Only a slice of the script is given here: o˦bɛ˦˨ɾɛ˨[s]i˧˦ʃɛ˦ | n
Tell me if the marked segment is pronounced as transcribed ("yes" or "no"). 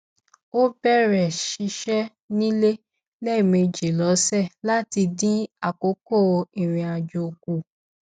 no